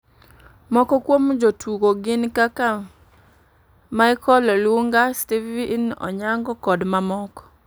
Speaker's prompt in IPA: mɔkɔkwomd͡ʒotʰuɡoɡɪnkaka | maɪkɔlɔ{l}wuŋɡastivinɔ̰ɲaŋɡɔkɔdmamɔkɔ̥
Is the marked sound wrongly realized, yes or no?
no